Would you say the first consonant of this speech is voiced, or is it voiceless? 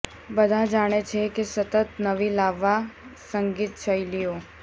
voiced